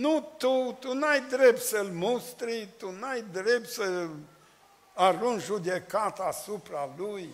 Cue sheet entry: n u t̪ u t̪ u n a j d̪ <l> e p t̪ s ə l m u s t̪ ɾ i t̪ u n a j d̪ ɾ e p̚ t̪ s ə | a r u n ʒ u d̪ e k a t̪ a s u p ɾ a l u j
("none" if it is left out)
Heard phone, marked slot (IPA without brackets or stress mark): ɾ